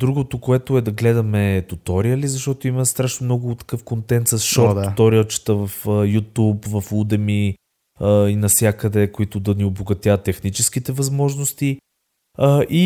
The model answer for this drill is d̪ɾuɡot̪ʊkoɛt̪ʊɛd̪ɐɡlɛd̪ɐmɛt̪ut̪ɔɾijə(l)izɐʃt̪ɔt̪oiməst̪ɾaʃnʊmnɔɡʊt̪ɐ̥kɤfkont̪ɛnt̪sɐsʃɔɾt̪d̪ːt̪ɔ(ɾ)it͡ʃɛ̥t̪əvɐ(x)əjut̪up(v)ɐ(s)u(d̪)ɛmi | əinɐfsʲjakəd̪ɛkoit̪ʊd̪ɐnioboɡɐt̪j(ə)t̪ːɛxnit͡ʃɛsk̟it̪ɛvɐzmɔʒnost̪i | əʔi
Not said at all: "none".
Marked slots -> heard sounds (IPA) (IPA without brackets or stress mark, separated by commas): l, ɾ, f, v, f, d̪, a